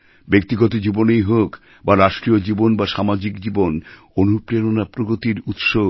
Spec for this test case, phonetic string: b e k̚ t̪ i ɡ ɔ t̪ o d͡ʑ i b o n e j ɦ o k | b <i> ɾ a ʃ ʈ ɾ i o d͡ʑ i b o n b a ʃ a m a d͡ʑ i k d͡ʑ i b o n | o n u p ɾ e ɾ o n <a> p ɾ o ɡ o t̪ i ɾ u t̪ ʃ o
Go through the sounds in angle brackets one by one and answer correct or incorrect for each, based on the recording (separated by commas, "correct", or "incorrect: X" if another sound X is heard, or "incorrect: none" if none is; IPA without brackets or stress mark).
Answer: incorrect: a, correct